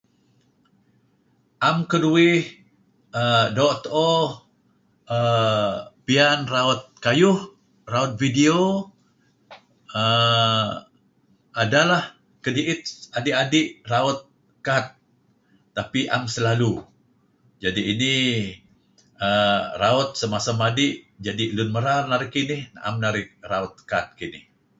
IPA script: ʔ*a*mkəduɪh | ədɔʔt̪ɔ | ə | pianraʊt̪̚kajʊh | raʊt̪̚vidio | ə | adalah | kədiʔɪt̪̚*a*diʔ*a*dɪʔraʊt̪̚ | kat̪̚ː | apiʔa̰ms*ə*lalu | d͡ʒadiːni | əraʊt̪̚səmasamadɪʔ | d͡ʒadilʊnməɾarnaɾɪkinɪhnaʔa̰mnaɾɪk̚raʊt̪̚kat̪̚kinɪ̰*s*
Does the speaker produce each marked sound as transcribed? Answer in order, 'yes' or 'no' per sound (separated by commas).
yes, yes, yes, yes, no